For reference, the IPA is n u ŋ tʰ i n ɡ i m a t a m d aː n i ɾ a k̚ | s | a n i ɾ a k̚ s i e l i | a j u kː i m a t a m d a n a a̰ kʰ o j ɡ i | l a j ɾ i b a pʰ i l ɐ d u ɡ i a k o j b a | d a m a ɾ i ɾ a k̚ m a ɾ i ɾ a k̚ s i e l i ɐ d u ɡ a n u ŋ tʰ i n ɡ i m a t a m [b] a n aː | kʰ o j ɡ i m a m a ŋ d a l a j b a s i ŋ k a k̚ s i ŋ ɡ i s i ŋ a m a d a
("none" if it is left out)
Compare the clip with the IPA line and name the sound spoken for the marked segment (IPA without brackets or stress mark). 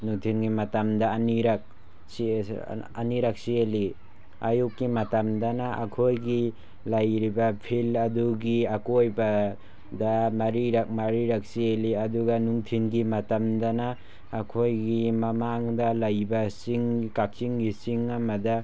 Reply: d